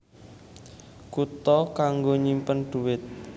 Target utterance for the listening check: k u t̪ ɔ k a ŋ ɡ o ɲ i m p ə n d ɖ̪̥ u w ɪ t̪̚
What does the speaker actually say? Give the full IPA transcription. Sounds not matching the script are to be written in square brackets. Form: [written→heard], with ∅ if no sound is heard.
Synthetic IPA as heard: k u t̪ ɔ k a ŋ ɡ o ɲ i m p ə n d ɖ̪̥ u w ɪ t̪̚